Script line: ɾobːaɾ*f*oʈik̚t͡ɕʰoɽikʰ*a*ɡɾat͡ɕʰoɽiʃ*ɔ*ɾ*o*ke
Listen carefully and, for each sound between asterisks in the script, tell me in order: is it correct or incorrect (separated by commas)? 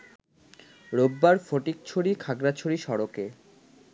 correct, correct, correct, correct